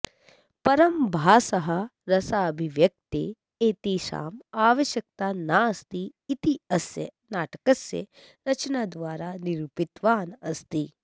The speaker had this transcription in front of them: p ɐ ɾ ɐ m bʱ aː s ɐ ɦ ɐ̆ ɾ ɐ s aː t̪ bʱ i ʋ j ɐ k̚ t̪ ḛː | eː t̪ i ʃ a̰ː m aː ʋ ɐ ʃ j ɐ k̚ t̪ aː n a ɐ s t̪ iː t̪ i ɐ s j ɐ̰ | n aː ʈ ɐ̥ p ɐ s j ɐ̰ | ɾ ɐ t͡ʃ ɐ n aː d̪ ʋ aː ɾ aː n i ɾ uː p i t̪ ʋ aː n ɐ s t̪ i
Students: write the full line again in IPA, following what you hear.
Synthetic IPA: p ɐ ɾ ɐ m bʱ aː s ɐ ɦ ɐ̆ ɾ ɐ s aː bʱ i ʋ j ɐ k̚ t̪ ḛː | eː t̪ i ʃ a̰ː m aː ʋ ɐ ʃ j ɐ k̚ t̪ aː n a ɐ s t̪ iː t̪ i ɐ s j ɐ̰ | n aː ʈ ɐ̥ k ɐ s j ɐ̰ | ɾ ɐ t͡ʃ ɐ n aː d̪ ʋ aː ɾ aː n i ɾ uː p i t̪ ʋ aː n ɐ s t̪ i

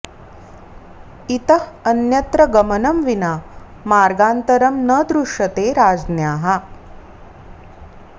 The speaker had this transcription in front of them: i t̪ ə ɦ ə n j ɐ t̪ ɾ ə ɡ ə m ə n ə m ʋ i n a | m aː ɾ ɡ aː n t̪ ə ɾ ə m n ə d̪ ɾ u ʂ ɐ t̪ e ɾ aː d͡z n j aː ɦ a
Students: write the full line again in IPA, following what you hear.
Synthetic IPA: i t̪ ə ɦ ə n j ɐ t̪ ɾ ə ɡ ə m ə n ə m ʋ i n a | m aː ɾ ɡ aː n t̪ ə ɾ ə m n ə d̪ ɾ u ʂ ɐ t̪ e ɾ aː d͡z n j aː ɦ a

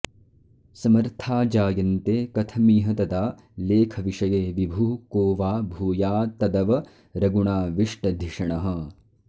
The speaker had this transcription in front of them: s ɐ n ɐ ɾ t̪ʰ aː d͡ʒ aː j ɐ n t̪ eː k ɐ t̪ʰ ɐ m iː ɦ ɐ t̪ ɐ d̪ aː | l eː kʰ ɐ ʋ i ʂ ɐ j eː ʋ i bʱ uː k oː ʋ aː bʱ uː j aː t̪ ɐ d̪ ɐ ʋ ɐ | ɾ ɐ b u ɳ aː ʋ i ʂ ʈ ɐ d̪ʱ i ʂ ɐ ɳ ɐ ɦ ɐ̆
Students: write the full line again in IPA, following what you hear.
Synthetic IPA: s ɐ m ɐ ɾ t̪ʰ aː d͡ʒ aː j ɐ n t̪ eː k ɐ t̪ʰ ɐ m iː ɦ ɐ t̪ ɐ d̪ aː | l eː kʰ ɐ ʋ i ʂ ɐ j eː ʋ i bʱ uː k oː ʋ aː bʱ uː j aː t̪ ɐ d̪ ɐ ʋ ɐ | ɾ ɐ ɡ u ɳ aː ʋ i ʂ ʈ ɐ d̪ʱ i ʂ ɐ ɳ ɐ ɦ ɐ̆

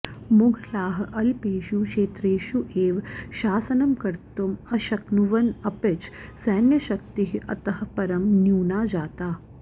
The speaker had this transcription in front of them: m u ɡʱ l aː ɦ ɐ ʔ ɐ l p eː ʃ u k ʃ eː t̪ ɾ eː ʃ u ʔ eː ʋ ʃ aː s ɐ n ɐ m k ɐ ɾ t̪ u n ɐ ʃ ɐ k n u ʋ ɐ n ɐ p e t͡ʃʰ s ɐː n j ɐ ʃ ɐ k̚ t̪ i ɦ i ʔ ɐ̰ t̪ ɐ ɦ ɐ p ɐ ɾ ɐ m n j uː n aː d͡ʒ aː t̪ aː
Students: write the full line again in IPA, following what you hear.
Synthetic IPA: m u ɡʱ l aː ɦ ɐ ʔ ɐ l p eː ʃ u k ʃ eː t̪ ɾ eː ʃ u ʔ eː ʋ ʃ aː s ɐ n ɐ m k ɐ ɾ t̪ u m ɐ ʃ ɐ k n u ʋ ɐ n ɐ p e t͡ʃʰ s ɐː n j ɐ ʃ ɐ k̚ t̪ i ɦ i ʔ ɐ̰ t̪ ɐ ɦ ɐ p ɐ ɾ ɐ m n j uː n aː d͡ʒ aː t̪ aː

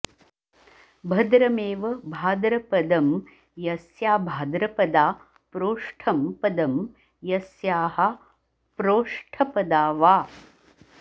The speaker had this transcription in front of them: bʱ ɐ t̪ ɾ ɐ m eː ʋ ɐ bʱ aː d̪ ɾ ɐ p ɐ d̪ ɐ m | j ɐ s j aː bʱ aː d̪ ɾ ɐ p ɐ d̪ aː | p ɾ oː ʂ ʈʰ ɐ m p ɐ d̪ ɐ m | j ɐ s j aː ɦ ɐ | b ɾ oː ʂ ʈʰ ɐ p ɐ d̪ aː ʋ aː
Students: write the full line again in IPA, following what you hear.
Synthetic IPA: bʱ ɐ d̪ ɾ ɐ m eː ʋ ɐ bʱ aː d̪ ɾ ɐ p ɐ d̪ ɐ m | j ɐ s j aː bʱ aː d̪ ɾ ɐ p ɐ d̪ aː | p ɾ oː ʂ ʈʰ ɐ m p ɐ d̪ ɐ m | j ɐ s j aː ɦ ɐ | p ɾ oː ʂ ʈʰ ɐ p ɐ d̪ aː ʋ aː

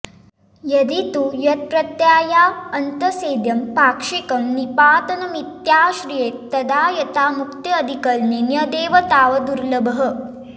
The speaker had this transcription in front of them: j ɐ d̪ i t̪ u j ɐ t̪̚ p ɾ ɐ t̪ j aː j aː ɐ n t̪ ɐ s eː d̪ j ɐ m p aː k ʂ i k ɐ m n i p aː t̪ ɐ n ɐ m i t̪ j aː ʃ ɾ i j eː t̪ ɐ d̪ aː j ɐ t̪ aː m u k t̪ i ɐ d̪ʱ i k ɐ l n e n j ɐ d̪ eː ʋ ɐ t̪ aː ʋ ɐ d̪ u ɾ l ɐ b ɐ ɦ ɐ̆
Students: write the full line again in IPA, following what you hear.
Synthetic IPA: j ɐ d̪ i t̪ u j ɐ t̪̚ p ɾ ɐ t̪ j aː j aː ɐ n t̪ ɐ s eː d̪ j ɐ m p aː k ʂ i k ɐ m n i p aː t̪ ɐ n ɐ m i t̪ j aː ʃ ɾ i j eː t̪ ɐ d̪ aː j ɐ t̪ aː m u k t̪ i ɐ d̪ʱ i k ɐ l n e n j ɐ d̪ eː ʋ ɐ t̪ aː ʋ ɐ d̪ u ɾ l ɐ b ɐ ɦ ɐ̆

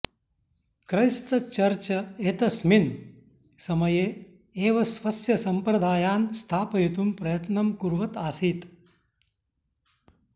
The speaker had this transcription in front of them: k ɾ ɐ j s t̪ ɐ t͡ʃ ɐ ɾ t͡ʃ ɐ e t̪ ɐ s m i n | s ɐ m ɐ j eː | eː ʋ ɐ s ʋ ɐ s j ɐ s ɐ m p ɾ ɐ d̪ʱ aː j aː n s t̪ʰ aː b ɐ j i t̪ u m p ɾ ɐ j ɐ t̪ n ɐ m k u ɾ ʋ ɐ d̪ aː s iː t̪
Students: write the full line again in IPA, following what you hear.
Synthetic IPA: k ɾ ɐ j s t̪ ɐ t͡ʃ ɐ ɾ t͡ʃ ɐ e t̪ ɐ s m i n | s ɐ m ɐ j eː | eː ʋ ɐ s ʋ ɐ s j ɐ s ɐ m p ɾ ɐ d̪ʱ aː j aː n s t̪ʰ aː p ɐ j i t̪ u m p ɾ ɐ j ɐ t̪ n ɐ m k u ɾ ʋ ɐ t̪ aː s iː t̪

